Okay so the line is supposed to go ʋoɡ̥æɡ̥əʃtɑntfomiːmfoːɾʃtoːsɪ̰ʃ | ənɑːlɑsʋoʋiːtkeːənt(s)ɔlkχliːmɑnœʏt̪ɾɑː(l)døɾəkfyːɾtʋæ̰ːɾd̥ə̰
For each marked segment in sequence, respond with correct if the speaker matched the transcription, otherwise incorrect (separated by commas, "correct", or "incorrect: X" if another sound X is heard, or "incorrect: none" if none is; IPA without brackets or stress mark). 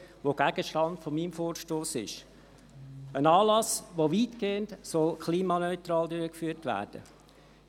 correct, correct